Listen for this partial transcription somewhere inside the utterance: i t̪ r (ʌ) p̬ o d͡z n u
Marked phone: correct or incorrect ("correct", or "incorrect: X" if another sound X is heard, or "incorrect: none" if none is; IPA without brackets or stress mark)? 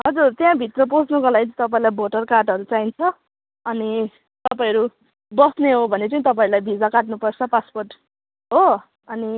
correct